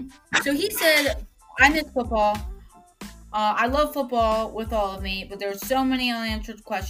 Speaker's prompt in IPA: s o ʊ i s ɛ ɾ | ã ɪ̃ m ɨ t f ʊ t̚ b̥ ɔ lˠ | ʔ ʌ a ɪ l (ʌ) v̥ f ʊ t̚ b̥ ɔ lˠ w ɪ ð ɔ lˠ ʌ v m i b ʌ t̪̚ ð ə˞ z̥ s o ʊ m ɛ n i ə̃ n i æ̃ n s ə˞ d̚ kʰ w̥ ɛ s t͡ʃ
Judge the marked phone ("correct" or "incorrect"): correct